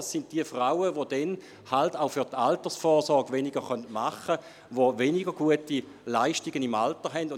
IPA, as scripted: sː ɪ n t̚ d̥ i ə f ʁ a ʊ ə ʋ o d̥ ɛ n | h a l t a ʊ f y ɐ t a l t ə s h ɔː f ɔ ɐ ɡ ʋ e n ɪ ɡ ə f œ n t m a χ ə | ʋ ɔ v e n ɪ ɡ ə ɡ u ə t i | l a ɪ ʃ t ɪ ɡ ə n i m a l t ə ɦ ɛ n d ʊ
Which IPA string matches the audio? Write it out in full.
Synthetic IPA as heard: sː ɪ n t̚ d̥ i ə f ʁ a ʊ ə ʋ o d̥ ɛ n | h a l t a ʊ f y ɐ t a l t ə s f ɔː s ɔ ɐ ɡ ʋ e n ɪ ɡ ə χ œ n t m a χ ə | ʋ o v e n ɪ ɡ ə ɡ u ə t i | l a ɪ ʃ t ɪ ɡ ə n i m a l t ə ɦ ɛ n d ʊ